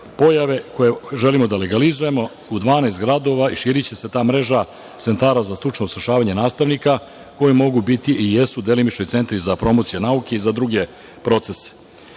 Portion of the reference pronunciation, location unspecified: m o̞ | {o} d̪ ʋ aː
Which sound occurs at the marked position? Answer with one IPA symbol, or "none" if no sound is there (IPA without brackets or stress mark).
u